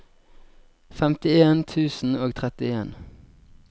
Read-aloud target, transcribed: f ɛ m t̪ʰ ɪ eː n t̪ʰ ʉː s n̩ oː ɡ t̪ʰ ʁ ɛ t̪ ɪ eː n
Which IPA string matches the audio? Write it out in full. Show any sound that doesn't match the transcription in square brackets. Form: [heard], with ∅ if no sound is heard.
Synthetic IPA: f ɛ m [t̪] ɪ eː n t̪ʰ ʉː s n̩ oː ɡ t̪ʰ ʁ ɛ t̪ ɪ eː n